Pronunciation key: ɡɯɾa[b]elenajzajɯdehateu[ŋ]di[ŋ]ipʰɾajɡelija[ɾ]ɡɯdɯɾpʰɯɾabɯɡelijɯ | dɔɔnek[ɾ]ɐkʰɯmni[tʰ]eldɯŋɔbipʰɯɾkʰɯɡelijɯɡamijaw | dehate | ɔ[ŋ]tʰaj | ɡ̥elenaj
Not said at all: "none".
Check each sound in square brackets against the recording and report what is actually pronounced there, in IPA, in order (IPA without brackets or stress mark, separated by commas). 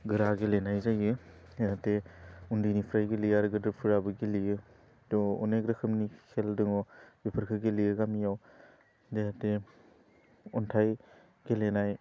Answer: ɡ, n, n, ɾ, ɾ, kʰ, n